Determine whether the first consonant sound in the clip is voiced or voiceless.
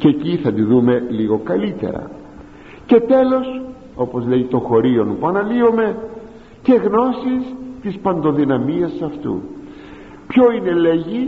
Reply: voiceless